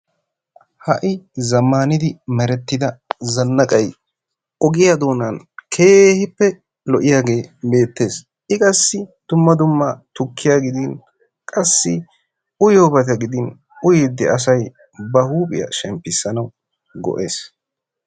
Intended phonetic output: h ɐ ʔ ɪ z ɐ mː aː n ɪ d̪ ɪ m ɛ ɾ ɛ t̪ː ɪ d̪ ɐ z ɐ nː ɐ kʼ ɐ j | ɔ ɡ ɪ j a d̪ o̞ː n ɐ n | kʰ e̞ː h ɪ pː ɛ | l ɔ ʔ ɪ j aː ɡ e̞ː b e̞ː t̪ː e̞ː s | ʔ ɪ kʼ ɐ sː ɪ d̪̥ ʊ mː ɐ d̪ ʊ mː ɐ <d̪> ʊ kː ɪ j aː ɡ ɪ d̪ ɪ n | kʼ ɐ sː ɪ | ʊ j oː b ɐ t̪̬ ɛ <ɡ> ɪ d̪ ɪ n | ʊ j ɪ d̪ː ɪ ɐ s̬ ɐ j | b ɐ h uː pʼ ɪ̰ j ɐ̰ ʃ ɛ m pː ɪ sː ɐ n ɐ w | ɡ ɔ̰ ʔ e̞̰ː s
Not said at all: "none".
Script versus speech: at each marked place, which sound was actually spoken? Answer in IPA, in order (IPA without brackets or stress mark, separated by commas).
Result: t̪, ɡ